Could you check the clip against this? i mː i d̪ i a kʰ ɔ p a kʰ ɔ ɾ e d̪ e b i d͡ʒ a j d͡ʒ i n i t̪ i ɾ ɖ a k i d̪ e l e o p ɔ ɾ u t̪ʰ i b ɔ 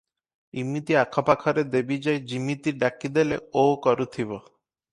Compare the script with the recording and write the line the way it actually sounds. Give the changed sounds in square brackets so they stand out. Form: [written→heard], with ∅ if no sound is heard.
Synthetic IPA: i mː i [d̪→t̪] i a kʰ ɔ p a kʰ ɔ ɾ e d̪ e b i d͡ʒ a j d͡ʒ i [n→m] i t̪ i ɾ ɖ a k i d̪ e l e o [p→k] ɔ ɾ u t̪ʰ i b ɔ